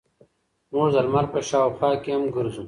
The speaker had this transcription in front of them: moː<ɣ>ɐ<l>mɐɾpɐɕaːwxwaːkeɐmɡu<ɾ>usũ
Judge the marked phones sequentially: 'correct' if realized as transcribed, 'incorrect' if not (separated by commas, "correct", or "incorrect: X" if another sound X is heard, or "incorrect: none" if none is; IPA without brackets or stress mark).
incorrect: z, correct, correct